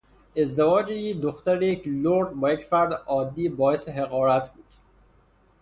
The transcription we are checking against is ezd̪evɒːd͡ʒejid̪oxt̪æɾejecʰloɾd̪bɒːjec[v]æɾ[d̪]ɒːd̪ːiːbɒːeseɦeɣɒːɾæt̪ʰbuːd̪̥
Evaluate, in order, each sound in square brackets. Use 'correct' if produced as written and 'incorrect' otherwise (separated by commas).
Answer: incorrect, correct